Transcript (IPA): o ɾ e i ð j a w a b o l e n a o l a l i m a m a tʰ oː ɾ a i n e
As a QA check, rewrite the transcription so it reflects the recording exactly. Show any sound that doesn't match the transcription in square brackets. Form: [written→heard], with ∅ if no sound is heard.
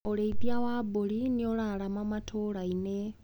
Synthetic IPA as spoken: o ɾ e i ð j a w a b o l [e→i] n [a→i] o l a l [i→a] m a m a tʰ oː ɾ a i n e